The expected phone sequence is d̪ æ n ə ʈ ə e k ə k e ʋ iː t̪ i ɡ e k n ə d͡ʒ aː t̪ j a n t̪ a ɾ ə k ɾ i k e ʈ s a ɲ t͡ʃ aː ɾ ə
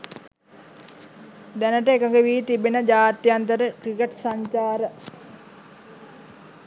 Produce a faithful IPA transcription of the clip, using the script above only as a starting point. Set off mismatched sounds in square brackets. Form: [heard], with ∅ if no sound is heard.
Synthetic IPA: d̪ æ n ə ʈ ə e k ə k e ʋ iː t̪ i [b] e [∅] n ə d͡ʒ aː t̪ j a n t̪ [ə] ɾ ə k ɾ i k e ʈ s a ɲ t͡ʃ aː ɾ ə